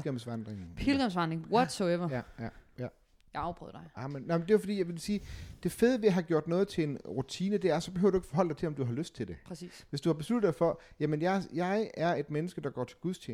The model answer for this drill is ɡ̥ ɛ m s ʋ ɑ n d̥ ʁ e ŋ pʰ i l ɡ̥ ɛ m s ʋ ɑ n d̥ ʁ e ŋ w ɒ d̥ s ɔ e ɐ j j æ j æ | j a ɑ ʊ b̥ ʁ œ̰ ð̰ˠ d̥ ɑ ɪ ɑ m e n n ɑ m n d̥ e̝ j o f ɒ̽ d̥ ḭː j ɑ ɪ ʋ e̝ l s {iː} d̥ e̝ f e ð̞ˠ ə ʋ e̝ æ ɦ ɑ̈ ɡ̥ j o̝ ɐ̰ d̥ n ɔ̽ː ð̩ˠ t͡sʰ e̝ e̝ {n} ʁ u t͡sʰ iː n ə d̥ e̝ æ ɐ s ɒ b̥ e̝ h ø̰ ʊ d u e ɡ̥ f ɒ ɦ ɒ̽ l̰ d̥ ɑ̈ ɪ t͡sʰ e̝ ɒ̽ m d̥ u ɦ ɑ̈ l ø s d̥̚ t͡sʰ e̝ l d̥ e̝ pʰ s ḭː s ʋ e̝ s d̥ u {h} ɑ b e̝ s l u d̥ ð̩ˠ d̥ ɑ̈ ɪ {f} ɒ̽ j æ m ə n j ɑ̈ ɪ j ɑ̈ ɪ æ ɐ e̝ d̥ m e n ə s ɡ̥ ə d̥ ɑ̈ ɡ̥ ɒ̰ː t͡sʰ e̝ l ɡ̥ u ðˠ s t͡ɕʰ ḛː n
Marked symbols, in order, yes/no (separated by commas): yes, yes, yes, yes